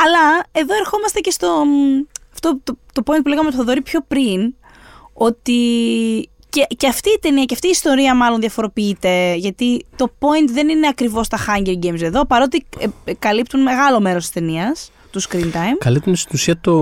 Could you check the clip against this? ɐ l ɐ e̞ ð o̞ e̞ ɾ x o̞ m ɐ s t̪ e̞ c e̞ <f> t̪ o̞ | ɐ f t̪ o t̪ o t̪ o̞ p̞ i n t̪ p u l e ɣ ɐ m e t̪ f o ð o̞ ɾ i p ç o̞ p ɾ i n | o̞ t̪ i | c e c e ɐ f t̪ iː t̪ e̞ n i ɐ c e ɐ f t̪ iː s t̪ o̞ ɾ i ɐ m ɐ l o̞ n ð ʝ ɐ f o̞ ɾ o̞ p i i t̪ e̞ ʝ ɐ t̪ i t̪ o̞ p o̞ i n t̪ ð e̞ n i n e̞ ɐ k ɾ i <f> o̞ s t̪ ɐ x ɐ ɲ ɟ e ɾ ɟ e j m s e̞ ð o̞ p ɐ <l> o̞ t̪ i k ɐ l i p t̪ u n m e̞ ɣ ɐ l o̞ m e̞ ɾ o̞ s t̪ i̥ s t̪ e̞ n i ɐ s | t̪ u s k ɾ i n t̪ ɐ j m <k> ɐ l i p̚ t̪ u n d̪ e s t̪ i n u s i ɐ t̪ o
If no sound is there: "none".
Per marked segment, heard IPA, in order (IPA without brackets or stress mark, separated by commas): s, v, ɾ, k